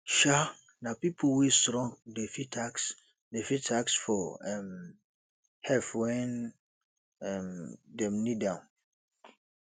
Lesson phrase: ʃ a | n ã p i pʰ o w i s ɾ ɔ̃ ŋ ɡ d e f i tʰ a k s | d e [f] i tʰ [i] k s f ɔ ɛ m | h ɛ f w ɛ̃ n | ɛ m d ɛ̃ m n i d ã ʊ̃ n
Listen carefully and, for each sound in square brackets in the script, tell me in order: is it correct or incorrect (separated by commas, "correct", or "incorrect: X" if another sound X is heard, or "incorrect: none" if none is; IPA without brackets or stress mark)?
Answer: correct, incorrect: a